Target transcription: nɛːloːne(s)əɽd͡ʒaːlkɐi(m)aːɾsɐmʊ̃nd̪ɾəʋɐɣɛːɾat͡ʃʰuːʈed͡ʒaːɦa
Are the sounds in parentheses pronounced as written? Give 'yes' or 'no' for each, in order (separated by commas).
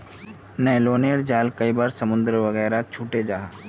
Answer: no, no